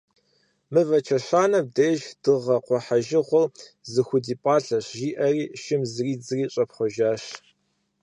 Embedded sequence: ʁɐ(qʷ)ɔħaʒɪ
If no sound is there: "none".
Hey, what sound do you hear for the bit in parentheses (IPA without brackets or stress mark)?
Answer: qʷ